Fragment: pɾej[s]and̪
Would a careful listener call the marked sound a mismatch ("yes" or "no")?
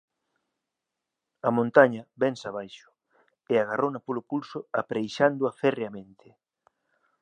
yes